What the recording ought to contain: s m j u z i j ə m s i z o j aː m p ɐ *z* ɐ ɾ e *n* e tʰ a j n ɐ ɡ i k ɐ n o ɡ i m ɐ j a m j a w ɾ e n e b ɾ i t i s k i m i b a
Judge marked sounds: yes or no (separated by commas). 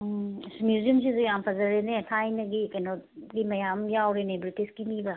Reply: yes, yes